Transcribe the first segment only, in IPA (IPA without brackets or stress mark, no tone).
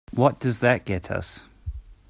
w